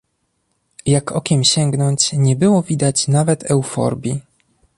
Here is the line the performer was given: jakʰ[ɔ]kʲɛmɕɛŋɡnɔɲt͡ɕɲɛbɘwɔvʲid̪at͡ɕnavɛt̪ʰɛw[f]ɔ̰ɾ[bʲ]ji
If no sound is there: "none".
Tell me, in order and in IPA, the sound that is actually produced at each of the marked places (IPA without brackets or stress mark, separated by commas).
ɔ, f, bʲ